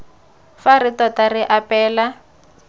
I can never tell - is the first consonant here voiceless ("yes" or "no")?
yes